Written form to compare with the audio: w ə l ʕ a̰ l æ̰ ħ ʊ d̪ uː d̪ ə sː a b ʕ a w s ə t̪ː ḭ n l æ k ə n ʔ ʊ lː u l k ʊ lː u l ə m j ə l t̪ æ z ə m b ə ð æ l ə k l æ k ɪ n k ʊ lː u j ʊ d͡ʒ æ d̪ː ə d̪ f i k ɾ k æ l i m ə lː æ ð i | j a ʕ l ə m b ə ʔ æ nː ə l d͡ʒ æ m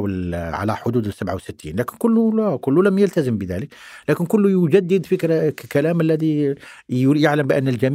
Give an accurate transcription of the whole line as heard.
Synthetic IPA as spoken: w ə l ʕ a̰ l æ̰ ħ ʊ d̪ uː d̪ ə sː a b ʕ a w s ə t̪ː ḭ n l æ k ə n k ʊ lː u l k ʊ lː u l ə m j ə l t̪ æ z ə m b ə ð æ l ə k l æ k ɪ n k ʊ lː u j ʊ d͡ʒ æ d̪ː ə d̪ f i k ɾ k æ l æ m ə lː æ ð i | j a ʕ l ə m b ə ʔ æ nː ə l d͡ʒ æ m